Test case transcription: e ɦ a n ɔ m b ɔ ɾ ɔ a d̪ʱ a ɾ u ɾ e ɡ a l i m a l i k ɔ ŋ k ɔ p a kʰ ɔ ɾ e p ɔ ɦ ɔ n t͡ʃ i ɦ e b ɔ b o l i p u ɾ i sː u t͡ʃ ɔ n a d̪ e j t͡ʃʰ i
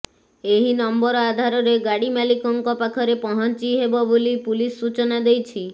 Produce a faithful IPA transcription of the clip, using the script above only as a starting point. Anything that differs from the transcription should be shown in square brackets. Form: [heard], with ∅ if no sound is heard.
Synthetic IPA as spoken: e ɦ [i] n ɔ m b ɔ ɾ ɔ a d̪ʱ a ɾ [ɔ] ɾ e ɡ a [ɽ] i m a l i k ɔ ŋ k ɔ p a kʰ ɔ ɾ e p ɔ ɦ ɔ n t͡ʃ i ɦ e b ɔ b o l i p u [l] i sː u t͡ʃ ɔ n a d̪ e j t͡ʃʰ i